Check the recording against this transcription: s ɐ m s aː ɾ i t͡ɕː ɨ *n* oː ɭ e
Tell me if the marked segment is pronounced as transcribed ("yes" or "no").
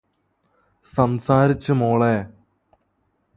no